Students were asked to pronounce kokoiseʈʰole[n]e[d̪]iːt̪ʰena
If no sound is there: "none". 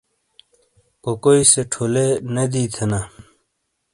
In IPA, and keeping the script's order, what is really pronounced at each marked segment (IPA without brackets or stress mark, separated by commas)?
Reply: n, d̪